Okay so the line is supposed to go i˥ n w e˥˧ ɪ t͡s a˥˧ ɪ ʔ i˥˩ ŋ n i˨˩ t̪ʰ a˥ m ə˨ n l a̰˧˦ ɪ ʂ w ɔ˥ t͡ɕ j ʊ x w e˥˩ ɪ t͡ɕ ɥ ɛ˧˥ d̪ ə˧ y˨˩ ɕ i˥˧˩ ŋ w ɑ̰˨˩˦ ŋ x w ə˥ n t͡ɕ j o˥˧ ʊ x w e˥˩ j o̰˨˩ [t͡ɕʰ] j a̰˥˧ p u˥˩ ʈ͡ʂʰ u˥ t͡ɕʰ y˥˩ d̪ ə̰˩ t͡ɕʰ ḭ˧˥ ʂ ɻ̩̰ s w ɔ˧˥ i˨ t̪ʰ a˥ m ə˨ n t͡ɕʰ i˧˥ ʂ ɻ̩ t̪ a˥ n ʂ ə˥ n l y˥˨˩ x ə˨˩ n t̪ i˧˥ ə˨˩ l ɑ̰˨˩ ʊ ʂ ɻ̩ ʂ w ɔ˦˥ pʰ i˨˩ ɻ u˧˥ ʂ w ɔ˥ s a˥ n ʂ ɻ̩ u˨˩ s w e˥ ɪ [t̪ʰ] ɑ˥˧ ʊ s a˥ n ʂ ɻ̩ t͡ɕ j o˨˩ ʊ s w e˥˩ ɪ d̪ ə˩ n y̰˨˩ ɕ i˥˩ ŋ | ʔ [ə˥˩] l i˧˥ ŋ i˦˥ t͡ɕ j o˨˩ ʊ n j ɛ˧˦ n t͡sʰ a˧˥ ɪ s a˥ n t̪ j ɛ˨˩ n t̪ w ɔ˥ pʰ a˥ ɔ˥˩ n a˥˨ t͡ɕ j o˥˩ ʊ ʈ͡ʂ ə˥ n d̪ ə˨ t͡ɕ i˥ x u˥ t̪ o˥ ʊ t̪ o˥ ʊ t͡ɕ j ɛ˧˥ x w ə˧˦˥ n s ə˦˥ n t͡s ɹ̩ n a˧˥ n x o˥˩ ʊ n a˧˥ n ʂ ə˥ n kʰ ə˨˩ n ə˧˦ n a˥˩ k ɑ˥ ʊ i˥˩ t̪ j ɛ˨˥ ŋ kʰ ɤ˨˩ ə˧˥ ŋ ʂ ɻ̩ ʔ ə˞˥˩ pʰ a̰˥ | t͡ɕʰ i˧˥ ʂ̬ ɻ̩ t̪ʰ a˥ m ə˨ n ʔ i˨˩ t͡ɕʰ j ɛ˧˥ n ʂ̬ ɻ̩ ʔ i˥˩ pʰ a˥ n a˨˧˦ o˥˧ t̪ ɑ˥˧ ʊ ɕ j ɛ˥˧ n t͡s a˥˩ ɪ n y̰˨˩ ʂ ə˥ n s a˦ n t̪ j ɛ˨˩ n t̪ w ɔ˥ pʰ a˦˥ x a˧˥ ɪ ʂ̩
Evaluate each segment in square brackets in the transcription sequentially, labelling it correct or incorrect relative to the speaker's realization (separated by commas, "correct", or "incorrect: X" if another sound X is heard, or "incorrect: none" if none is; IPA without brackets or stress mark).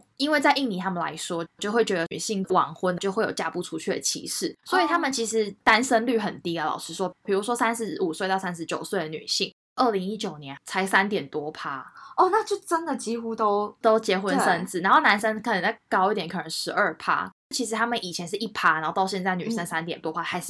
incorrect: t͡ɕ, incorrect: t̪, correct